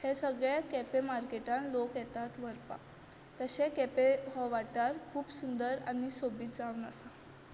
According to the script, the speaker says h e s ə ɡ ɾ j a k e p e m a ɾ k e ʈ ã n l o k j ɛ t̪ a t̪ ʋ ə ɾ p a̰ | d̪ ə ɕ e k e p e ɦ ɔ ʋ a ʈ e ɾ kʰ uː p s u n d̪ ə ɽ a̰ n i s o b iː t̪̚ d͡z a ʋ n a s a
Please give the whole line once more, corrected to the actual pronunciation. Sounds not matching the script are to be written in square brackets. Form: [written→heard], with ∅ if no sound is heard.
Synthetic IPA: h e s ə ɡ [ɾ→ɭ] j a k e p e m a ɾ k e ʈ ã n l o k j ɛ t̪ a t̪ ʋ ə ɾ p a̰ | [d̪→t̪] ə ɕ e k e p e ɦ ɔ ʋ a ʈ [e→a] ɾ kʰ uː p s u n d̪ ə [ɽ→ɾ] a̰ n i s o b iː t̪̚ d͡z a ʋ n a s a